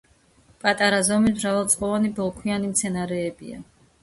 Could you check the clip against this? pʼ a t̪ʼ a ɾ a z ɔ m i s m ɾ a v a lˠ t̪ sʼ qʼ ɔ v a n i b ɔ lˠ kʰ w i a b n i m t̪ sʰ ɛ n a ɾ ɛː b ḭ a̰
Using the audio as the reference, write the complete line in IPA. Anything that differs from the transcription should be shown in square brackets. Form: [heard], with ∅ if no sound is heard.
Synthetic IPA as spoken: pʼ a t̪ʼ a ɾ a z ɔ m i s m ɾ a v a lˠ t̪ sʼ qʼ ɔ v a n i b ɔ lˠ kʰ w i a [∅] n i m t̪ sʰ ɛ n a ɾ ɛː b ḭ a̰